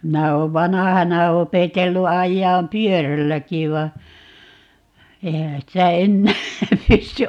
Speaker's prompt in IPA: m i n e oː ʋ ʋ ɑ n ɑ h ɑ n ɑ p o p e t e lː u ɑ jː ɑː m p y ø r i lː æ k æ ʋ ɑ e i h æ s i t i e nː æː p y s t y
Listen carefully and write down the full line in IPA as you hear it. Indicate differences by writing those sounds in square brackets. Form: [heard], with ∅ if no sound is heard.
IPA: m i n [æ] oː ʋ ʋ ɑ n ɑ h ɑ n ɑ [∅] o p e t e lː u ɑ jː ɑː m p y ø r [æ] lː æ k [i] ʋ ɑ e i h æ s i t [æ] e nː æː p y s t y